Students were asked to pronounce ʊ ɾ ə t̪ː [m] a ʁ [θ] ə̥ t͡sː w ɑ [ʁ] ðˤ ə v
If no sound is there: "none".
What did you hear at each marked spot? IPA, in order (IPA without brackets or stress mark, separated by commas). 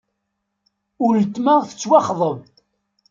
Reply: m, θ, χ